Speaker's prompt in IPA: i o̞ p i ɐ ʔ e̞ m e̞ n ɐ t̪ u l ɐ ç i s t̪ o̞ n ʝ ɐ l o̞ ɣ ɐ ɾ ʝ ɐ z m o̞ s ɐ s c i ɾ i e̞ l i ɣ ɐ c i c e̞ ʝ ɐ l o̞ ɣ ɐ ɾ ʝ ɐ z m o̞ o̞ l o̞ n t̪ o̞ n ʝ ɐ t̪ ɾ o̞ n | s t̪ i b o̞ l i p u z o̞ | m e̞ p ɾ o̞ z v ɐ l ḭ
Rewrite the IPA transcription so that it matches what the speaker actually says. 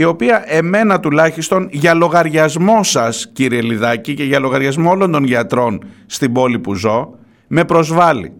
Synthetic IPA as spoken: i o̞ p i ɐ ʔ e̞ m e̞ n ɐ t̪ u l ɐ ç i s t̪ o̞ n ʝ ɐ l o̞ ɣ ɐ ɾ ʝ ɐ z m o̞ s ɐ s c i ɾ i e̞ l i ð ɐ c i c e̞ ʝ ɐ l o̞ ɣ ɐ ɾ ʝ ɐ z m o̞ o̞ l o̞ n d̪ o̞ n ʝ ɐ t̪ ɾ o̞ n | s t̪ i b o̞ l i p u z o̞ | m e̞ p ɾ o̞ z v ɐ l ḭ